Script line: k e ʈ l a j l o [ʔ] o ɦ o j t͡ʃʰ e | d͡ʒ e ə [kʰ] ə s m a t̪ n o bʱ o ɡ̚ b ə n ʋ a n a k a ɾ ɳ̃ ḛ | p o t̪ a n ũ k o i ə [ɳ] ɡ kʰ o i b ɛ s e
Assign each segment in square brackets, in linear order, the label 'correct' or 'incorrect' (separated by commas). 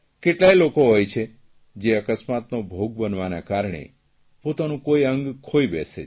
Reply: incorrect, incorrect, incorrect